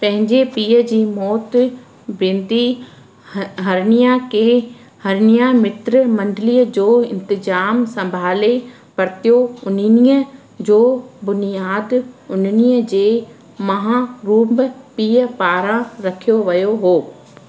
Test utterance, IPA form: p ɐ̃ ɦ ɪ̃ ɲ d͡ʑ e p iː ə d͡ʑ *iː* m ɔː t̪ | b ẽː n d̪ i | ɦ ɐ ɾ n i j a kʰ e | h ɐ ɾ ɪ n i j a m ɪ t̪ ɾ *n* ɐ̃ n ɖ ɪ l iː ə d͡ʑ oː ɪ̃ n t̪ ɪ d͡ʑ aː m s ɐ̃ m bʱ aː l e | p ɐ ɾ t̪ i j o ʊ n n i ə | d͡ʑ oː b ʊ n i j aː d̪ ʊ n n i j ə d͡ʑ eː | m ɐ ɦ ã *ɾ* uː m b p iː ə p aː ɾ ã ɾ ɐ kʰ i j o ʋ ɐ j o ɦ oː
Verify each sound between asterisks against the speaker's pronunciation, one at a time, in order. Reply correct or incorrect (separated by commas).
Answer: correct, incorrect, correct